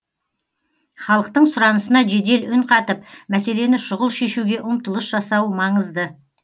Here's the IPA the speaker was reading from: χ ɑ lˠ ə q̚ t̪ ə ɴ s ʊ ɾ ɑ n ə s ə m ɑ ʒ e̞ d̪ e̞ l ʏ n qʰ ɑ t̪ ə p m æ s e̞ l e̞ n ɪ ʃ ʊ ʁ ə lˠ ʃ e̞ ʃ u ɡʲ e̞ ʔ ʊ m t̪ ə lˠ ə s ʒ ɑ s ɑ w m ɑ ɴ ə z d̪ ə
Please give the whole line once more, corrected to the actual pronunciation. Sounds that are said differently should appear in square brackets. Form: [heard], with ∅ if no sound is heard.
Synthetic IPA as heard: χ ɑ lˠ ə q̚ t̪ ə ɴ s ʊ ɾ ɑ n ə s ə [n] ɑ ʒ e̞ d̪ e̞ l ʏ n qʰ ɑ t̪ ə p m æ s e̞ l e̞ n ɪ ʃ ʊ ʁ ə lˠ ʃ e̞ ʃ u ɡʲ e̞ ʔ ʊ m t̪ ə lˠ ə s ʒ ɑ s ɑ w m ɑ ɴ ə z d̪ ə